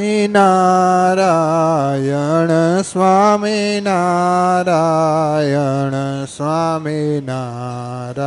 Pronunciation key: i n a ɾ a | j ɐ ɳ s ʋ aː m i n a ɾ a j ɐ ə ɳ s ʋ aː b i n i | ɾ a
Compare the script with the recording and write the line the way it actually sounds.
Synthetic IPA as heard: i n a ɾ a | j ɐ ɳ s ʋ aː m i n a ɾ a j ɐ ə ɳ s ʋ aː m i n a | ɾ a